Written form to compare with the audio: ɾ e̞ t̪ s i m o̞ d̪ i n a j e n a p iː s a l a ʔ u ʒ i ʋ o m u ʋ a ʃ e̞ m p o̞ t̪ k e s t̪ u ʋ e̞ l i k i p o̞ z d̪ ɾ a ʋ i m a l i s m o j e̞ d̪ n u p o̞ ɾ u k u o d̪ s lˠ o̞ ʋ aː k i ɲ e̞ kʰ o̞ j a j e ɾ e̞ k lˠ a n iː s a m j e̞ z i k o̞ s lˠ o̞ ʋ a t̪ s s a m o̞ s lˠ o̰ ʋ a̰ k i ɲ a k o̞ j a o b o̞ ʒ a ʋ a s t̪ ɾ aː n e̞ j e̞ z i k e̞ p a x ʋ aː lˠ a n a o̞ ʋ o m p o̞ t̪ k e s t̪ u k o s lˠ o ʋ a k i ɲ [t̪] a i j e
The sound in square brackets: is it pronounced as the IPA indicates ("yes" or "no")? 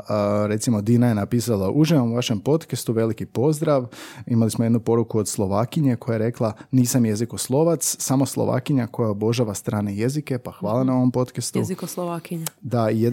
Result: no